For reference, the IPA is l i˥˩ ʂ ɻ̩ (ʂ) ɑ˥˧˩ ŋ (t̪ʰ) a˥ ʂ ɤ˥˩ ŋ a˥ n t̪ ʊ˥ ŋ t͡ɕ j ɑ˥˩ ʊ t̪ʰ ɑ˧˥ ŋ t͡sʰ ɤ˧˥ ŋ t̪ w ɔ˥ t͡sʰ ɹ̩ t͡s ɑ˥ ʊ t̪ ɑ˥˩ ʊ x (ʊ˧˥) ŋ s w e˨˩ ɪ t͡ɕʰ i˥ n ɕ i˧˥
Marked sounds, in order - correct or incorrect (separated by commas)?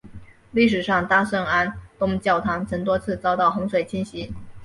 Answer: correct, incorrect, correct